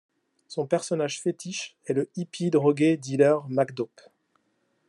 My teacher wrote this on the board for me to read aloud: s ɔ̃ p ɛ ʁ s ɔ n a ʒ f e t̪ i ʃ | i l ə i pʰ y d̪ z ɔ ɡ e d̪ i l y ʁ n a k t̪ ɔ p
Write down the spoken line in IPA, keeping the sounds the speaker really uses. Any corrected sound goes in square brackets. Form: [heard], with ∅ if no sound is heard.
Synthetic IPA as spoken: s ɔ̃ p ɛ ʁ s ɔ n a ʒ f e t̪ i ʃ | [ɛ] l ə i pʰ [i] d̪ [ʁ] ɔ ɡ e d̪ i l [œ] ʁ [m] a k [d̪] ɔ p